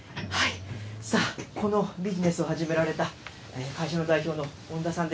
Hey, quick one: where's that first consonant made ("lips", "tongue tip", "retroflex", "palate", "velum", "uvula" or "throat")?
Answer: throat